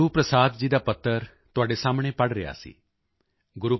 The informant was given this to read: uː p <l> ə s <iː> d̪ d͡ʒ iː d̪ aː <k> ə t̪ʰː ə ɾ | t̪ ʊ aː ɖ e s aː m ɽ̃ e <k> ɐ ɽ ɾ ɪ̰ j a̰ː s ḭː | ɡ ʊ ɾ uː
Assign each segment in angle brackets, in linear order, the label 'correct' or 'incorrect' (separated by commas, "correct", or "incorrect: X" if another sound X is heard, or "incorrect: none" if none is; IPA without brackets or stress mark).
incorrect: ɾ, incorrect: aː, incorrect: p, incorrect: p